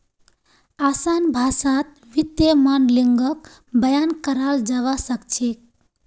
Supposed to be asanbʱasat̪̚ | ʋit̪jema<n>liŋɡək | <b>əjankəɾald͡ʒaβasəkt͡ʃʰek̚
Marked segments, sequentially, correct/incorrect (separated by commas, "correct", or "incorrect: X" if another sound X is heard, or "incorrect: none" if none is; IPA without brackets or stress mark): correct, correct